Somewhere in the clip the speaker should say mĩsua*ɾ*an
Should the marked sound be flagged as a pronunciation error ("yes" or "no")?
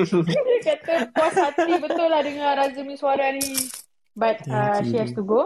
no